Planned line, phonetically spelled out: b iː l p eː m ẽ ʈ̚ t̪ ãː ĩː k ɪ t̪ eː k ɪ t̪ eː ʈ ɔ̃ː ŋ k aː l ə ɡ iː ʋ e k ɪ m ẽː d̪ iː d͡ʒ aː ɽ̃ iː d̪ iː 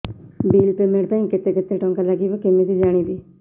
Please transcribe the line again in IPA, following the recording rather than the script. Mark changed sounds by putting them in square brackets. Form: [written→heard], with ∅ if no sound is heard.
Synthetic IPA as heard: b iː l p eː m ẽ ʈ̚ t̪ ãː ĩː k ɪ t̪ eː k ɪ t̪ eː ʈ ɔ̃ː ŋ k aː l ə ɡ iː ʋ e k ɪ m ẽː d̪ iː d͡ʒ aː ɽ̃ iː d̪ iː